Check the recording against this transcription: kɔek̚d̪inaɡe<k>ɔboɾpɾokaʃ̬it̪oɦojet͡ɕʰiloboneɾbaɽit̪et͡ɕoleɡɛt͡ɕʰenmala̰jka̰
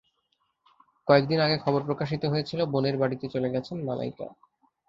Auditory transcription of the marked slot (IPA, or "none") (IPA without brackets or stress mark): kʰ